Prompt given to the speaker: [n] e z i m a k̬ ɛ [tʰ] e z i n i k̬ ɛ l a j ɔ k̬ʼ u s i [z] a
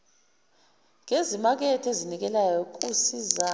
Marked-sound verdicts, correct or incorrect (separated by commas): incorrect, correct, correct